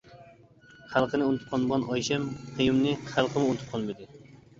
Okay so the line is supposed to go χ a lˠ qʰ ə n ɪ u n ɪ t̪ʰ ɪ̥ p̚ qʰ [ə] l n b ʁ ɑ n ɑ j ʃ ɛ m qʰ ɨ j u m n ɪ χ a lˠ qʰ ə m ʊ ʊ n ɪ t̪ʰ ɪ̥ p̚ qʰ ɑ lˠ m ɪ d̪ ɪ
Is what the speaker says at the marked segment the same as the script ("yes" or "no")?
no